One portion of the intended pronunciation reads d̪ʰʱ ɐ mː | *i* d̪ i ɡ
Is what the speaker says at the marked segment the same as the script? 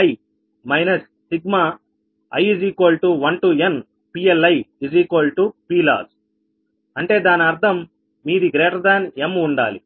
no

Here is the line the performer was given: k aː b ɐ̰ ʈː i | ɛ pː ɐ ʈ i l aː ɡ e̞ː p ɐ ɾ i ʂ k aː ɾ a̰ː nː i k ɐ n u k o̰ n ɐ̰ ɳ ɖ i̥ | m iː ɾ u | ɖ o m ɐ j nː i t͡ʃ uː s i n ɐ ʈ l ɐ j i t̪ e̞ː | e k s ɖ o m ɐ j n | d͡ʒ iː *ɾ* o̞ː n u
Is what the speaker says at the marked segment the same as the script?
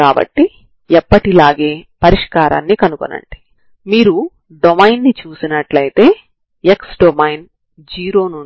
yes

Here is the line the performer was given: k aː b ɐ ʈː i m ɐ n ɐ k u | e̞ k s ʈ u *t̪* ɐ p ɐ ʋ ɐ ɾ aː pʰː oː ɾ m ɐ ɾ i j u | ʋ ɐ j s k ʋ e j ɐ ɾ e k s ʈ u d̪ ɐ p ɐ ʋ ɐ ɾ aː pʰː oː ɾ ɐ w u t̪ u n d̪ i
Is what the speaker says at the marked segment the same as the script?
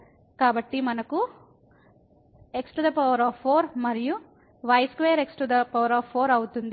no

